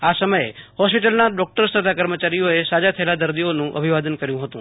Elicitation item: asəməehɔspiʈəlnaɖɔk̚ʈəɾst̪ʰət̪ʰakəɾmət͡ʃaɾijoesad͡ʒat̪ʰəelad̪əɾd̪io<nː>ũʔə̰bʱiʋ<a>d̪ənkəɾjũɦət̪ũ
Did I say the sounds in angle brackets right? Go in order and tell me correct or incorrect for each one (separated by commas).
incorrect, correct